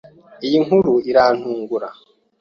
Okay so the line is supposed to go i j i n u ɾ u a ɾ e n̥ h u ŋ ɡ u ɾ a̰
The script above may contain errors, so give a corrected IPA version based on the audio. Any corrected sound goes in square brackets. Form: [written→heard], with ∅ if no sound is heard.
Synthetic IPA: i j i [n→ŋ] u ɾ u [a→i] ɾ [e→a] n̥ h [u→uː] ŋ ɡ u ɾ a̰